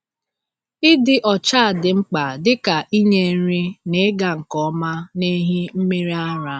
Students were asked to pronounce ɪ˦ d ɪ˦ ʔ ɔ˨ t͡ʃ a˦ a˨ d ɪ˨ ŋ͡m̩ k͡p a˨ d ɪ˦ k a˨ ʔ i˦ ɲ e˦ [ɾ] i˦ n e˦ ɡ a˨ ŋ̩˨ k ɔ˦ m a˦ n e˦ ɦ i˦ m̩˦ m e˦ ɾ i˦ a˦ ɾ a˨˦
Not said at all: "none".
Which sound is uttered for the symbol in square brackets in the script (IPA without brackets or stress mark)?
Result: ɾ